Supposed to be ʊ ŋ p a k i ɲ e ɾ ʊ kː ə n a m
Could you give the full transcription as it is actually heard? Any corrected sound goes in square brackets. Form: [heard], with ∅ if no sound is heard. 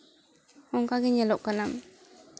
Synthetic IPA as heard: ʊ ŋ [k] a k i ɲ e [l] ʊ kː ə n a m